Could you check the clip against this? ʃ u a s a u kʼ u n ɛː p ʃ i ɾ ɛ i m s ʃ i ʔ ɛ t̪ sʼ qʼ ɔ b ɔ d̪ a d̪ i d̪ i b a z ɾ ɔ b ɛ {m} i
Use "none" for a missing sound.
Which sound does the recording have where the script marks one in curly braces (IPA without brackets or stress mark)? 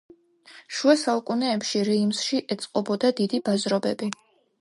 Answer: b